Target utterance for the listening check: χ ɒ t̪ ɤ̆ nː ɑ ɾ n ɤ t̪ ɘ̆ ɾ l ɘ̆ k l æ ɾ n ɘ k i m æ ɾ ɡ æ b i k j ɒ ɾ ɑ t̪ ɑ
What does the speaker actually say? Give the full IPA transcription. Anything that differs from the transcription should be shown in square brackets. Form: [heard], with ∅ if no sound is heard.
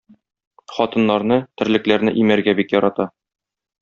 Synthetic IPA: χ ɒ t̪ ɤ̆ nː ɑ ɾ n ɤ t̪ ɘ̆ ɾ l ɘ̆ k l æ ɾ n ɘ [ʔ] i m æ ɾ ɡ æ b i k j ɒ ɾ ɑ t̪ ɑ